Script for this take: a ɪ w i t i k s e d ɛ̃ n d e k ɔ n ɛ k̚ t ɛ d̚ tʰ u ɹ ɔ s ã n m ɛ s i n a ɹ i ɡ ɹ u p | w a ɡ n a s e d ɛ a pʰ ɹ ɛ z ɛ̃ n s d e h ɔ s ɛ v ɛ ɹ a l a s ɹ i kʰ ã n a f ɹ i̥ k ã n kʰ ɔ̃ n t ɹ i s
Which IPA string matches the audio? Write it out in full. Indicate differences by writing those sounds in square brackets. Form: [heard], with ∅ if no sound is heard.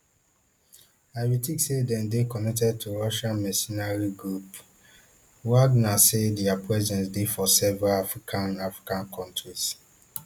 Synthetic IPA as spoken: a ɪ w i t i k s e d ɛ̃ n d e k ɔ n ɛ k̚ t ɛ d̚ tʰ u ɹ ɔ [ʃ] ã n m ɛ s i n a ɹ i ɡ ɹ u p | w a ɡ n a s e d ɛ a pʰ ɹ ɛ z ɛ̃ n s d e [f] ɔ s ɛ v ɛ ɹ a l a [f] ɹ i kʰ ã n a f ɹ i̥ k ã n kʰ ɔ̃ n t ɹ i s